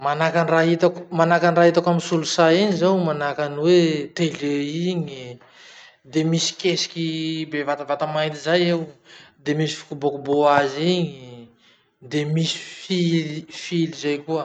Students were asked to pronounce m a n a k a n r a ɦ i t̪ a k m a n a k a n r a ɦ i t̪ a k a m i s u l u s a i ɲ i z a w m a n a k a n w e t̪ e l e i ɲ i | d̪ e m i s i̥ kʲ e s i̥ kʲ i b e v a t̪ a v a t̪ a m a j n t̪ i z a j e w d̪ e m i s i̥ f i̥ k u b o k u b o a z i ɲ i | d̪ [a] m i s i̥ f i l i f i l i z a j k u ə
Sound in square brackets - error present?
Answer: yes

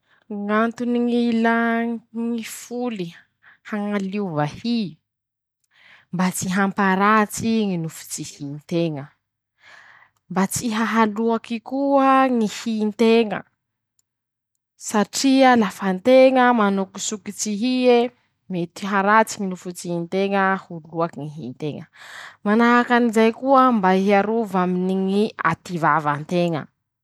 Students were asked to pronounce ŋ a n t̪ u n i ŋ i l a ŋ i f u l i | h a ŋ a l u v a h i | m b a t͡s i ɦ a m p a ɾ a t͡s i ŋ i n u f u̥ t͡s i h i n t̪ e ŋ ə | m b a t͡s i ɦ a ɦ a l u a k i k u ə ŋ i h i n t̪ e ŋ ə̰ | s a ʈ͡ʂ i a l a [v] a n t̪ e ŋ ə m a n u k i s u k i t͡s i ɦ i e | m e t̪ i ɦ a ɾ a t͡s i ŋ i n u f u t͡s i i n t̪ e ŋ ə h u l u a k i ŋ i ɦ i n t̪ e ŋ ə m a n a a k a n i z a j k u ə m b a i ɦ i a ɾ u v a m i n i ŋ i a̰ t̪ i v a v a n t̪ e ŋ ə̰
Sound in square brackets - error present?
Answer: yes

